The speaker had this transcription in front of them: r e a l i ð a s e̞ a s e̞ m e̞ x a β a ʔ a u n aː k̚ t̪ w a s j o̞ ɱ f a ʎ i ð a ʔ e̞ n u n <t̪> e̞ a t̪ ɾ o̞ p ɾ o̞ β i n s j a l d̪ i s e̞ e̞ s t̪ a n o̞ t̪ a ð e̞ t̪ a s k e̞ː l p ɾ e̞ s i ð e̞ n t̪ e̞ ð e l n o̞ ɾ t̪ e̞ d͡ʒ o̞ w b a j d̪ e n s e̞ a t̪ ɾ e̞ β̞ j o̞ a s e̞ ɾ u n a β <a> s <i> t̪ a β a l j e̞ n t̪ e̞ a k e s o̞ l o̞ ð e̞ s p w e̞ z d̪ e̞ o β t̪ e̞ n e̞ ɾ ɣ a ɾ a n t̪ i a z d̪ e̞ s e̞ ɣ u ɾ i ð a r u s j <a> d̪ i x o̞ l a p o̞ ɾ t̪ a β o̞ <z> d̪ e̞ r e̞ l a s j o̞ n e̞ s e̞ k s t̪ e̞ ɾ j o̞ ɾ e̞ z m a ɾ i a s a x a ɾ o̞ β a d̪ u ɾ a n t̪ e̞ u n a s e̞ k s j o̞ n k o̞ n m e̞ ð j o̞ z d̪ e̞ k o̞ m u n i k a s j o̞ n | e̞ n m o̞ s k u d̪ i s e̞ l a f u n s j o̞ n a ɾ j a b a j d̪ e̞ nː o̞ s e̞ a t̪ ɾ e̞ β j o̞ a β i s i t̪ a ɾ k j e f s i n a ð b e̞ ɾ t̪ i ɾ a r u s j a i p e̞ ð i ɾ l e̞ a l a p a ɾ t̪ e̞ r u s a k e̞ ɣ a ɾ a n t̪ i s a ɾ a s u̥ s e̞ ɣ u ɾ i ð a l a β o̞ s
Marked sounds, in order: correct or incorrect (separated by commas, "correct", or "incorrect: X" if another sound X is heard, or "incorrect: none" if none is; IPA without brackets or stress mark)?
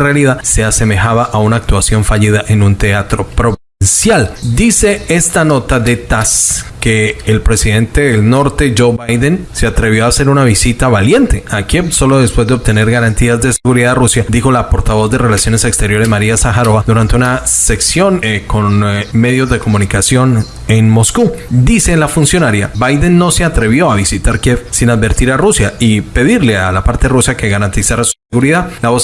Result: correct, incorrect: i, correct, correct, correct